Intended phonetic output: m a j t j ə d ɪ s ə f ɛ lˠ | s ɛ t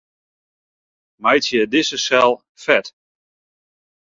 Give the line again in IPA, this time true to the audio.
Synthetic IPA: m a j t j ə d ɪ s ə s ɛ lˠ | f ɛ t